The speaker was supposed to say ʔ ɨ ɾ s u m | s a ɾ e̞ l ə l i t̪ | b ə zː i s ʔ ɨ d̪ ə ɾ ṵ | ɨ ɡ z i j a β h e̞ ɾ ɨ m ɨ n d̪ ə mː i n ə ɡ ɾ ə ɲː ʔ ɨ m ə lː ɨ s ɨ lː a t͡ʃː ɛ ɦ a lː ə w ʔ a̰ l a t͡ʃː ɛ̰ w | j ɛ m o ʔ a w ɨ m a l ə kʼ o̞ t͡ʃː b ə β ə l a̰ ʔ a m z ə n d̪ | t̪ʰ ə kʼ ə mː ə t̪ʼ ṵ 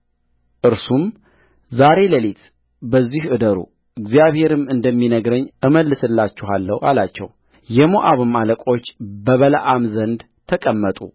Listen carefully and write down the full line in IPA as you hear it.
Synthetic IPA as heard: ʔ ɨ ɾ s u m | z a ɾ e̞ l ə l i t̪ | b ə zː i h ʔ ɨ d̪ ə ɾ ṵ | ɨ ɡ z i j a β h e̞ ɾ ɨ m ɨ n d̪ ə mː i n ə ɡ ɾ ə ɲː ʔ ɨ m ə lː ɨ s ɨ lː a t͡ʃː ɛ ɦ a lː ə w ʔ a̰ l a t͡ʃː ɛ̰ w | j ɛ m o ʔ a β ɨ m a l ə kʼ o̞ t͡ʃː b ə β ə l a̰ ʔ a m z ə n d̪ | t̪ʰ ə kʼ ə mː ə t̪ʼ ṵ